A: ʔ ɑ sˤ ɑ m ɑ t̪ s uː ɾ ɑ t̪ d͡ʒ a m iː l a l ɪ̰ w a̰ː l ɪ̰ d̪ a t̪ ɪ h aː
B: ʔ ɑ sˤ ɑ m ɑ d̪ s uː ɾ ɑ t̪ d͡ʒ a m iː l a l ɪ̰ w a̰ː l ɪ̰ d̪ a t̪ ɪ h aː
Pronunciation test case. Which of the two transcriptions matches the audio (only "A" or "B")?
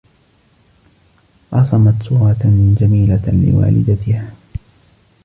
A